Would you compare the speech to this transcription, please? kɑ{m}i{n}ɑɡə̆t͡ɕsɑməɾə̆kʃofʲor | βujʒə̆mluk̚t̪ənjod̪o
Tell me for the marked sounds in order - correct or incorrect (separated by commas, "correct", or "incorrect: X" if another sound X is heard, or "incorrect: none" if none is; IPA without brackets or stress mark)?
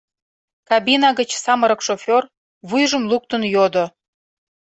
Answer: incorrect: b, correct